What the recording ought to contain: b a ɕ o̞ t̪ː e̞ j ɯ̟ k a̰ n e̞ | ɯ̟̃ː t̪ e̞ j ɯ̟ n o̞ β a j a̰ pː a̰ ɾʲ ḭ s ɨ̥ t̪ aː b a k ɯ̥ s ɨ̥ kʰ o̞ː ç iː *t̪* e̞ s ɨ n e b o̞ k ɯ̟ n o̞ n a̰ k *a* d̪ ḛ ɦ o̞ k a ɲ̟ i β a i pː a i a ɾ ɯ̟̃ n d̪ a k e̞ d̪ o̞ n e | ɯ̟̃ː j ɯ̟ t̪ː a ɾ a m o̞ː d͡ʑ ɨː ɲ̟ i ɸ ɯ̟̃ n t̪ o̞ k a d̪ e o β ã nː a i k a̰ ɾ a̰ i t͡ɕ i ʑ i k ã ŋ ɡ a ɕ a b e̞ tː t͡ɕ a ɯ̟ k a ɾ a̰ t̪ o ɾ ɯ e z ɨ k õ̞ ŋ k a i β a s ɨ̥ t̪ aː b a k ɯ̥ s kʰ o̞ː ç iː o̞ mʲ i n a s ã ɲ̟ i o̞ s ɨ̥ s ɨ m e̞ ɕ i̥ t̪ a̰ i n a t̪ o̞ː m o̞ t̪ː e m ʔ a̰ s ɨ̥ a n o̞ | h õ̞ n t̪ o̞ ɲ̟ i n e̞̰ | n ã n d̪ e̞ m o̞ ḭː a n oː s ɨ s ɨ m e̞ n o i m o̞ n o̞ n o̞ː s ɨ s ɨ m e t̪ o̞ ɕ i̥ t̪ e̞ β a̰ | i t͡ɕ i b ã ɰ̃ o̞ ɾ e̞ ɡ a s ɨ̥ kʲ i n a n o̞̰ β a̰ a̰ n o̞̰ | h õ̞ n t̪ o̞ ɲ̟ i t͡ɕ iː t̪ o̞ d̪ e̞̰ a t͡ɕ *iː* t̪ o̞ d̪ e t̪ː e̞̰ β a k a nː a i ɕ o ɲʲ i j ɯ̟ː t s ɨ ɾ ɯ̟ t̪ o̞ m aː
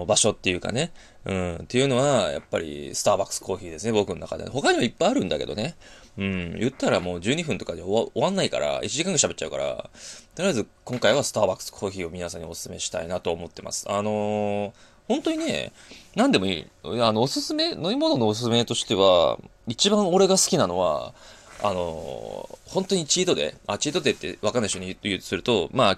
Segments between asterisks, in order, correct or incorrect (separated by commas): incorrect, correct, correct